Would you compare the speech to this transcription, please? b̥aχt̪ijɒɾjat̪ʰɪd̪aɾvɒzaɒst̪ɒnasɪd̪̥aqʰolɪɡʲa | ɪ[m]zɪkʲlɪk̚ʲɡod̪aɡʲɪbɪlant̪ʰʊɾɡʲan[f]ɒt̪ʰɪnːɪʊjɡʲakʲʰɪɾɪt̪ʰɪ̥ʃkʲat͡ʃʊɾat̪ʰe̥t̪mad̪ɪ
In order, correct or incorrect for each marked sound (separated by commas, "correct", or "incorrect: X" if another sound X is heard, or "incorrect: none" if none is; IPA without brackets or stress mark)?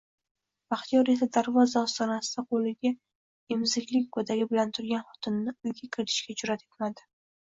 correct, incorrect: χ